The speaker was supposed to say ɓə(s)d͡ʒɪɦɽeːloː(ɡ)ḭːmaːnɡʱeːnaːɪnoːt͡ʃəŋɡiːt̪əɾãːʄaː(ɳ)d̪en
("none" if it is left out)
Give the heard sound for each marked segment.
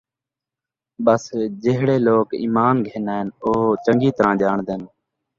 s, k, ɳ

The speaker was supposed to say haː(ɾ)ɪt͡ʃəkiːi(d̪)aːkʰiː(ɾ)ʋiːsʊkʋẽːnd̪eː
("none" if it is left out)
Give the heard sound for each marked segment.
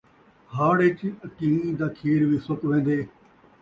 ɽ, d̪, ɾ

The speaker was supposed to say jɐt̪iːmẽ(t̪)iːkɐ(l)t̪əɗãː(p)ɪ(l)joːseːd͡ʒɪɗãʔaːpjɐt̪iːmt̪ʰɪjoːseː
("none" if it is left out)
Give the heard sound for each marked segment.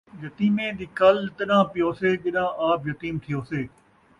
d̪, l, p, none

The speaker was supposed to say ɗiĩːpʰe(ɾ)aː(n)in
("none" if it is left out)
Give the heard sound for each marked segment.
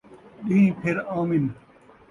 ɾ, m

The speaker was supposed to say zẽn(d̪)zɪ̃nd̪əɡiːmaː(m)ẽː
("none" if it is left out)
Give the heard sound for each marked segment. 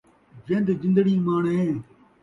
d̪, ɳ

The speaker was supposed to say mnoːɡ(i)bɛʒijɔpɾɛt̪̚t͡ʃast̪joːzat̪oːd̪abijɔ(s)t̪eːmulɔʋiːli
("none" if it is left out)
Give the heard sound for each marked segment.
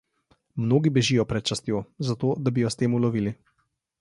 i, s

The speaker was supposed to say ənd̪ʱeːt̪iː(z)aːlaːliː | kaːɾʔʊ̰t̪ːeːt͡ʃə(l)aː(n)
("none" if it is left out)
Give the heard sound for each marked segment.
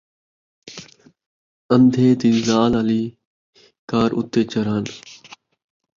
z, ɾ, n

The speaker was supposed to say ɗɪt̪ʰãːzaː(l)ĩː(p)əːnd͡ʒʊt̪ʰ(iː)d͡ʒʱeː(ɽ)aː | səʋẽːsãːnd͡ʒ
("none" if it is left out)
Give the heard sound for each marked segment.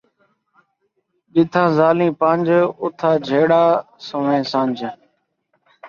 l, p, aː, ɽ

